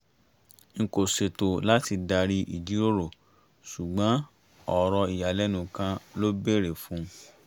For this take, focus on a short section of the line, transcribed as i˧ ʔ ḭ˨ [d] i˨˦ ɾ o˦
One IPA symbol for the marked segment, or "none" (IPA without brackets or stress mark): d͡ʒ